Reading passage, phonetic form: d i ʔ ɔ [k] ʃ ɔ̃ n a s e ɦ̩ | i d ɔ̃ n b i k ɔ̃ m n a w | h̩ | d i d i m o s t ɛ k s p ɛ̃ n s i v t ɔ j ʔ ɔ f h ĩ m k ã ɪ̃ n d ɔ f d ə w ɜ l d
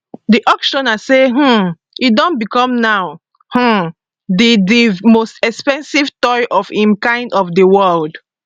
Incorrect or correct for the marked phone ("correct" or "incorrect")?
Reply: correct